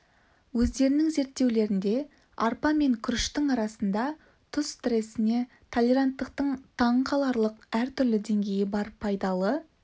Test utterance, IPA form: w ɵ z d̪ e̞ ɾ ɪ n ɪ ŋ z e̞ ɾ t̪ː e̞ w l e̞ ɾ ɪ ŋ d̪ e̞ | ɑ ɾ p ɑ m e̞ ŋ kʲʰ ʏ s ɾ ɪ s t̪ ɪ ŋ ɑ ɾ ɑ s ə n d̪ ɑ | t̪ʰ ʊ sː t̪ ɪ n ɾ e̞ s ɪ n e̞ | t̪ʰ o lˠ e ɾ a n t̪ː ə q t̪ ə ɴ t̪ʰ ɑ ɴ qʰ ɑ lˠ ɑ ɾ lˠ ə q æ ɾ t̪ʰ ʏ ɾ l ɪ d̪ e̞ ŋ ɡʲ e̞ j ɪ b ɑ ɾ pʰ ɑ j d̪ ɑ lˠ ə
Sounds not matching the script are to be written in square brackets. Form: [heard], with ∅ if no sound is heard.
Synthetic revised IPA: w ɵ z d̪ e̞ ɾ ɪ n ɪ ŋ z e̞ ɾ t̪ː e̞ w l e̞ ɾ ɪ [n] d̪ e̞ | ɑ ɾ p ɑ m e̞ ŋ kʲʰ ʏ [∅] ɾ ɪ [ʃ] t̪ ɪ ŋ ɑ ɾ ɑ s ə n d̪ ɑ | t̪ʰ ʊ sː t̪ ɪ [∅] ɾ e̞ s ɪ n e̞ | t̪ʰ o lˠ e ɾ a n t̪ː ə q t̪ ə ɴ t̪ʰ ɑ ɴ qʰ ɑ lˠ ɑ ɾ lˠ ə q æ ɾ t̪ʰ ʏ ɾ l ɪ d̪ e̞ ŋ ɡʲ e̞ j ɪ b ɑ ɾ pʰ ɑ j d̪ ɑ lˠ ə

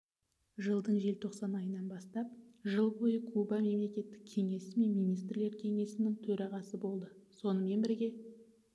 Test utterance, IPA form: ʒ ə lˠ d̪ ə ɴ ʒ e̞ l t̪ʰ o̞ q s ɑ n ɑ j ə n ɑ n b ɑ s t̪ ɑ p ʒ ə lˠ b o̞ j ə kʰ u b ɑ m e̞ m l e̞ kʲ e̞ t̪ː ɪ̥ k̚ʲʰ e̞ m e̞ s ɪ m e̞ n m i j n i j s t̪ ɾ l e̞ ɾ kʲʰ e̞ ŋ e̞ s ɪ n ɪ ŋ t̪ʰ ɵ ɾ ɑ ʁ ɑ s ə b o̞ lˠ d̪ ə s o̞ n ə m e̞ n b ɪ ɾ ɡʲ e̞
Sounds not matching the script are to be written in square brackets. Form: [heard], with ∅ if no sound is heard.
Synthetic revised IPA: ʒ ə lˠ d̪ ə ɴ ʒ e̞ l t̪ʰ o̞ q s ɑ n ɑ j ə n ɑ n b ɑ s t̪ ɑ p ʒ ə lˠ b o̞ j ə kʰ u b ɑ m e̞ m l e̞ kʲ e̞ t̪ː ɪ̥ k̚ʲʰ e̞ [ŋ] e̞ s ɪ m e̞ n m i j n i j s t̪ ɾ l e̞ ɾ kʲʰ e̞ ŋ e̞ s ɪ n ɪ ŋ t̪ʰ ɵ ɾ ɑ ʁ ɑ s ə b o̞ lˠ d̪ ə s o̞ n ə m e̞ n b ɪ ɾ ɡʲ e̞

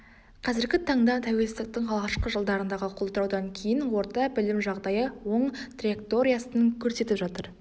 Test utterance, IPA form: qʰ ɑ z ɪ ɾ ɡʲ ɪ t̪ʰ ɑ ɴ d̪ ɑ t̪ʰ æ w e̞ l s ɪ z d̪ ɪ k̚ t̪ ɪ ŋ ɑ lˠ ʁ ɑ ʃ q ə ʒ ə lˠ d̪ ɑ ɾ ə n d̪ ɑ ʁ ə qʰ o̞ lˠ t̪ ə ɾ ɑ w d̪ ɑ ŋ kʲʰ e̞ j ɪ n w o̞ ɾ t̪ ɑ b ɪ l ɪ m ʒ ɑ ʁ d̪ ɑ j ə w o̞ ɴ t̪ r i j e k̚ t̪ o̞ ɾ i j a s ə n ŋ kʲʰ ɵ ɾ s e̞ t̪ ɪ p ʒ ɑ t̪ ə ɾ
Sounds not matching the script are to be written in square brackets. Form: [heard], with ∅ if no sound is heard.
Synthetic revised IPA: qʰ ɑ z ɪ ɾ ɡʲ ɪ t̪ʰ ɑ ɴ d̪ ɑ t̪ʰ æ w e̞ l s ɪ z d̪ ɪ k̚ t̪ ɪ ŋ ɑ lˠ ʁ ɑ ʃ q ə ʒ ə lˠ d̪ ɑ ɾ ə n d̪ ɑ ʁ ə qʰ o̞ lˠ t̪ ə ɾ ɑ w d̪ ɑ ŋ kʲʰ e̞ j ɪ n w o̞ ɾ t̪ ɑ b ɪ l ɪ m ʒ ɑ ʁ d̪ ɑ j ə w o̞ ɴ t̪ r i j e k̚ t̪ o̞ ɾ i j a s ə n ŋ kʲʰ ɵ ɾ s e̞ t̪ ɪ p ʒ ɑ t̪ ə ɾ

